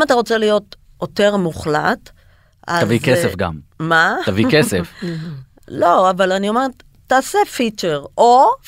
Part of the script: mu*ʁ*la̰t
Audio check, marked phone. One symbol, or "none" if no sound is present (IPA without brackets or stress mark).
χ